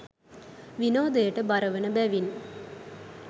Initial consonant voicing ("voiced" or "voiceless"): voiced